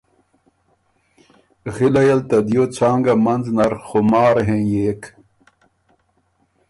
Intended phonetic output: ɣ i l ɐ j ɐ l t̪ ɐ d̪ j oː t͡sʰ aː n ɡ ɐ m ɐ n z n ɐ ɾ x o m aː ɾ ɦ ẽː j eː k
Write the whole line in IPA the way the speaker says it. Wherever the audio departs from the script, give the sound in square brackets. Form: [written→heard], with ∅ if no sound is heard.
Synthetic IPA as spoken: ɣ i l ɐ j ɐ l t̪ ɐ d̪ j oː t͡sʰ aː [n→ŋ] ɡ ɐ m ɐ n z n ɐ ɾ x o m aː ɾ ɦ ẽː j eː k